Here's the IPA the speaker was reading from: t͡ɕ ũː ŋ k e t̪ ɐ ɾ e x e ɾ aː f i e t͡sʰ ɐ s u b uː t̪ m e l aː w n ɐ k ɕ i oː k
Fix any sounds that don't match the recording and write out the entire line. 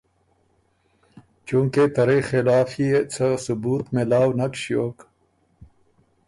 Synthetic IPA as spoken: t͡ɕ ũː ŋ k e t̪ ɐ ɾ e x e l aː f i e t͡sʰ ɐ s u b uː t̪ m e l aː w n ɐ k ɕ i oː k